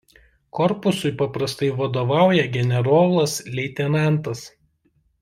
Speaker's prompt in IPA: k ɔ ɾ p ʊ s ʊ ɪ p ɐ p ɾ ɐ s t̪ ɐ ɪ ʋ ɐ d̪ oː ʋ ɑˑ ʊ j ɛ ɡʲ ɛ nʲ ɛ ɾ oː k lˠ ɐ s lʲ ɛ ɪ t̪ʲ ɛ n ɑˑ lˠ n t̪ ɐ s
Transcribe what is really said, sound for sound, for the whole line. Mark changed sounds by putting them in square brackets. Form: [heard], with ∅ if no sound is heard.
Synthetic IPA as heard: k ɔ ɾ p ʊ s ʊ ɪ p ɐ p ɾ ɐ s t̪ ɐ ɪ ʋ ɐ d̪ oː ʋ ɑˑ ʊ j ɛ ɡʲ ɛ nʲ ɛ ɾ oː [∅] lˠ ɐ s lʲ ɛ ɪ t̪ʲ ɛ n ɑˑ [∅] n t̪ ɐ s